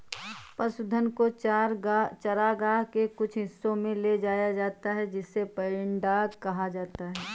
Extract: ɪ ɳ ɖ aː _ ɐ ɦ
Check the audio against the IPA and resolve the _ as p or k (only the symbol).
k